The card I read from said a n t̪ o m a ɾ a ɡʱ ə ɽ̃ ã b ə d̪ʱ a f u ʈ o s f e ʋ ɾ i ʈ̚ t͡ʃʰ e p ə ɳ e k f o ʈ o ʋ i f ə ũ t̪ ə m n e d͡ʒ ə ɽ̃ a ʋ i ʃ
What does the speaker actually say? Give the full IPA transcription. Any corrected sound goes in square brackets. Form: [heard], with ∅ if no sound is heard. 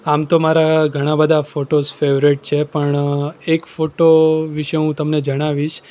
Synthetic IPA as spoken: a [m] t̪ o m a ɾ a ɡʱ ə ɽ̃ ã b ə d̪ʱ a f [o] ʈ o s f e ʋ ɾ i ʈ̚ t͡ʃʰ e p ə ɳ e k f o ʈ o ʋ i [ʃ] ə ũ t̪ ə m n e d͡ʒ ə ɽ̃ a ʋ i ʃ

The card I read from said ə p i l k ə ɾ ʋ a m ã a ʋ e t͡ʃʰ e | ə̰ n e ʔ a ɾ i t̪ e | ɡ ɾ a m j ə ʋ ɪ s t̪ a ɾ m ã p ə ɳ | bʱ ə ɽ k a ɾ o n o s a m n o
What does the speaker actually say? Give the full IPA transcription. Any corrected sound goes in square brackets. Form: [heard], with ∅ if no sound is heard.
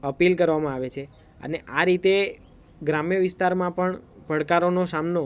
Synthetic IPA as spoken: ə p i l k ə ɾ ʋ a m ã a ʋ e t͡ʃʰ e | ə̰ n e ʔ a ɾ i t̪ e | ɡ ɾ a m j ə ʋ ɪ s t̪ a ɾ m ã p ə ɳ | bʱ ə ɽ k a ɾ o n o s a m n o

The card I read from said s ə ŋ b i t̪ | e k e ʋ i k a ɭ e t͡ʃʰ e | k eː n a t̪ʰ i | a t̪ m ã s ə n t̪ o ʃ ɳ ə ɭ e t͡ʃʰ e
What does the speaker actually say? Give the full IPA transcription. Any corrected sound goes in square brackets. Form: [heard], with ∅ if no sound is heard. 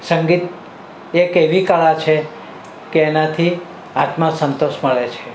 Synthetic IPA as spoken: s ə ŋ [ɡ] i t̪ | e k e ʋ i k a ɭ [a] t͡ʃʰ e | k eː n a t̪ʰ i | a t̪ m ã s ə n t̪ o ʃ [m] ə ɭ e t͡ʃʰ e

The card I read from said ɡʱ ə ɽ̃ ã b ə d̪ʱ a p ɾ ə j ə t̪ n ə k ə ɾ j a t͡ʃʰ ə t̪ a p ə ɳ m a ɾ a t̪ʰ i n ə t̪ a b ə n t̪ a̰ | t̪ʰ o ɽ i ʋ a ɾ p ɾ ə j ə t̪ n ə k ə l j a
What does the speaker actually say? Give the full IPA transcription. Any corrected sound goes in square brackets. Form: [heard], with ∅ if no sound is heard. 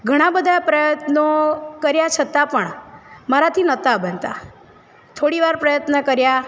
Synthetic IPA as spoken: ɡʱ ə ɽ̃ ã b ə d̪ʱ a p ɾ ə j ə t̪ n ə k ə ɾ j a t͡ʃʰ ə t̪ a p ə ɳ m a ɾ a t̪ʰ i n ə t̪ a b ə n t̪ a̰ | t̪ʰ o ɽ i ʋ a ɾ p ɾ ə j ə t̪ n ə k ə [ɾ] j a

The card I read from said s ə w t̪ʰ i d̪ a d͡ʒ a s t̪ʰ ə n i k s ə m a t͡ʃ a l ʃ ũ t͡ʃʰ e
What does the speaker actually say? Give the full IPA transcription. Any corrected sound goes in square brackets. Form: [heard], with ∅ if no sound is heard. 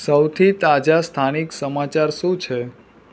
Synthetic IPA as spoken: s ə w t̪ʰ i [t̪] a d͡ʒ a s t̪ʰ [a] n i k s ə m a t͡ʃ a [ɾ] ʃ ũ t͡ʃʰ e

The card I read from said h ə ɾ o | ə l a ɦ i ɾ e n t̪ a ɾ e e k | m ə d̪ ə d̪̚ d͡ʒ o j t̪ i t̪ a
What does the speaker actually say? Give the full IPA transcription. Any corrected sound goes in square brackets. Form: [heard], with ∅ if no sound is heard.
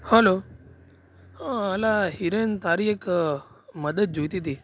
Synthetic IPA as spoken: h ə [l] o | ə l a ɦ i ɾ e n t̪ a ɾ [i] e k | m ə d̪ ə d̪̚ d͡ʒ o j t̪ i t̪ [i]

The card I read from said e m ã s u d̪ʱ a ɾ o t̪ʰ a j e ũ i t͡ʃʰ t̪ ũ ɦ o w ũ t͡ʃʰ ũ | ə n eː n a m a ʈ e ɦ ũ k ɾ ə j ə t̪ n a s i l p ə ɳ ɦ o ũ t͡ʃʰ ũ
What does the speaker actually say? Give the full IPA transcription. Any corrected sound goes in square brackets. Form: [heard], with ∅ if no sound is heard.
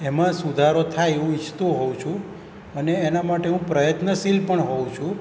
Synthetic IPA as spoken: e m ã s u d̪ʱ a ɾ o t̪ʰ a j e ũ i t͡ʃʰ t̪ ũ ɦ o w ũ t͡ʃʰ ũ | ə n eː n a m a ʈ e ɦ ũ [p] ɾ ə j ə t̪ n [ə] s i l p ə ɳ ɦ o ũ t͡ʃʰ ũ

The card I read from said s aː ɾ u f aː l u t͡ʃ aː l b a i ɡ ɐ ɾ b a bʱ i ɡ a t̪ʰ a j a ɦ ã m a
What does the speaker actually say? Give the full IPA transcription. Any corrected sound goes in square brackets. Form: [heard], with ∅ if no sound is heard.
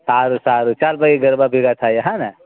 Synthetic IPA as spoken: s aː ɾ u [s] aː [ɾ] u t͡ʃ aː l b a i ɡ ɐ ɾ b a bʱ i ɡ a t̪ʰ a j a ɦ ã [n] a

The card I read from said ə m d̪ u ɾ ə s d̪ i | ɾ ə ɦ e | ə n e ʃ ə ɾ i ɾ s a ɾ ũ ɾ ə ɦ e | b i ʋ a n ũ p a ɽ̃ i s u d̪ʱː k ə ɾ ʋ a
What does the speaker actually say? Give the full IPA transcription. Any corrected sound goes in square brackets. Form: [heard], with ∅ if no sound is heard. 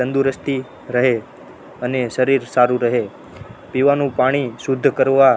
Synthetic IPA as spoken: ə [n] d̪ u ɾ ə s [t̪] i | ɾ ə ɦ e | ə n e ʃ ə ɾ i ɾ s a ɾ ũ ɾ ə ɦ e | [p] i ʋ a n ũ p a ɽ̃ i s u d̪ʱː k ə ɾ ʋ a

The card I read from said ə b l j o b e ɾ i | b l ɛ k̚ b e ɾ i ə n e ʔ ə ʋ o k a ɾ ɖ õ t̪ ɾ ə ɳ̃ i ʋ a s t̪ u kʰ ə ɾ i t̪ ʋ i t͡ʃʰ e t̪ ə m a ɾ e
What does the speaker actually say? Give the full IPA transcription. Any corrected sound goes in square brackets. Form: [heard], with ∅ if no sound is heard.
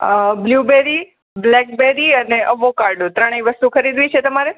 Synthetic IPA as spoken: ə b l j [u] b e ɾ i | b l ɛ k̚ b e ɾ i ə n e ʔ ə ʋ o k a ɾ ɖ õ t̪ ɾ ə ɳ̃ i ʋ [ə] s t̪ u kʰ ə ɾ i [d̪] ʋ i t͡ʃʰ e t̪ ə m a ɾ e

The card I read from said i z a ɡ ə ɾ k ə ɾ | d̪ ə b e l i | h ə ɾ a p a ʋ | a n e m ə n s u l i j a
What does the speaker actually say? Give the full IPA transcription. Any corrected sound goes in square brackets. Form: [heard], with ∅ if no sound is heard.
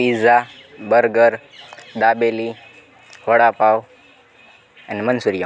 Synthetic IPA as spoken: i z a [b] ə ɾ [ɡ] ə ɾ | d̪ [a] b e l i | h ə [ɽ] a p a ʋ | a n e m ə n s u [ɾ] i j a

